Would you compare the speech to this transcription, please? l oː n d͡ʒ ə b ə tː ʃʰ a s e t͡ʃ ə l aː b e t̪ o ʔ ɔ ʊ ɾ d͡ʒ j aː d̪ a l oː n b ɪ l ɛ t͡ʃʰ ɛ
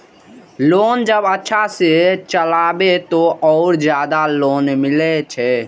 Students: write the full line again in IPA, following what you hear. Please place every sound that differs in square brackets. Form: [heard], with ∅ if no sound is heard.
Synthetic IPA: l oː n d͡ʒ ə b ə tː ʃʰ a s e t͡ʃ ə l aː b e t̪ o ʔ ɔ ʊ ɾ d͡ʒ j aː d̪ a l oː n [m] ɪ l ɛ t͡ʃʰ ɛ

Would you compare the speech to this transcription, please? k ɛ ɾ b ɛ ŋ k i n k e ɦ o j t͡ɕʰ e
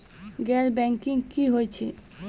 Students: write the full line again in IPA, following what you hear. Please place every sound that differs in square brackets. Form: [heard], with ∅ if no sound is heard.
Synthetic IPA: [ɡ] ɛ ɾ b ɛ ŋ k i [ŋ] k [i] ɦ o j t͡ɕʰ e

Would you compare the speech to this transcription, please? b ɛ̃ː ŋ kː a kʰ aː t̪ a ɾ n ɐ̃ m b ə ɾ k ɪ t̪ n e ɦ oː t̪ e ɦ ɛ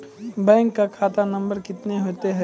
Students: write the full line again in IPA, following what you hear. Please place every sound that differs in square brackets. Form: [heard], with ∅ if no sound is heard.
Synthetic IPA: b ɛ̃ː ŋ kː a kʰ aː t̪ a [∅] n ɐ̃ m b ə ɾ k ɪ t̪ n e ɦ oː t̪ e ɦ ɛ

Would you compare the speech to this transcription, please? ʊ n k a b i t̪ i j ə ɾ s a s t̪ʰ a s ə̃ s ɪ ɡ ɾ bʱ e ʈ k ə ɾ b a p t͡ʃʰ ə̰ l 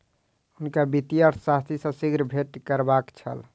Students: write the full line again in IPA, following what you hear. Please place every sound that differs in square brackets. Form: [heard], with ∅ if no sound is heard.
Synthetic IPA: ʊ n k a b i t̪ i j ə ɾ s a s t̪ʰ [i] s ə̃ s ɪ ɡ ɾ bʱ e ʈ k ə ɾ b a [k] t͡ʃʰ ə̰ l

